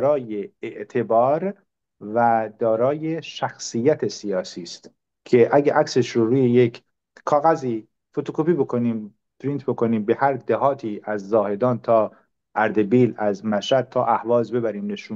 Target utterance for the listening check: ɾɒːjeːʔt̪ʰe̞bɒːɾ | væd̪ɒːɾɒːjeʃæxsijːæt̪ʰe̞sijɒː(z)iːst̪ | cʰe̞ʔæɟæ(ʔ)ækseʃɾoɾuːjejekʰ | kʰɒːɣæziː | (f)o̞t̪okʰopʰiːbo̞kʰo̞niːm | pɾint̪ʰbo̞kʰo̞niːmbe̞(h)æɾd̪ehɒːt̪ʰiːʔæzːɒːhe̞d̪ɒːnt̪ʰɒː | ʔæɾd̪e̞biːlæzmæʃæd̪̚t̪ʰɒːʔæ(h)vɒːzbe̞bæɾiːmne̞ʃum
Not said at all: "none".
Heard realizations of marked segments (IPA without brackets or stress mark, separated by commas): s, ʔ, f, h, h